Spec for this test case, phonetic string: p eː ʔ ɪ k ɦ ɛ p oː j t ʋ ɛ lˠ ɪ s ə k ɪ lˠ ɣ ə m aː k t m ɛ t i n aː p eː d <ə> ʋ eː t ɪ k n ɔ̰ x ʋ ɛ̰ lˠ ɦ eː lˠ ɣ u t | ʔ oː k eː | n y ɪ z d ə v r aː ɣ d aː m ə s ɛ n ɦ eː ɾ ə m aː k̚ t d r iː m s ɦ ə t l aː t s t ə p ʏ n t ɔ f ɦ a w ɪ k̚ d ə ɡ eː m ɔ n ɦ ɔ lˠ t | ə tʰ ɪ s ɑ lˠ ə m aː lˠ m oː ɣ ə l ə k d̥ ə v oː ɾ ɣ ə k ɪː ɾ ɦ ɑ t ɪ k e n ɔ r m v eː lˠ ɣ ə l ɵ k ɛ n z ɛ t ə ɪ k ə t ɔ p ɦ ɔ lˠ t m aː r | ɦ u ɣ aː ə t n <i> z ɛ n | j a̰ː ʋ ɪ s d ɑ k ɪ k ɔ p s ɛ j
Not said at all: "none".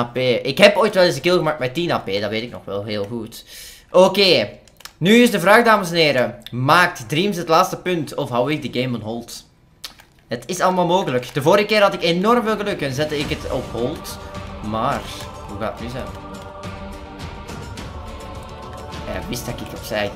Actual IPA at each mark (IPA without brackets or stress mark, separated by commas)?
ɑ, y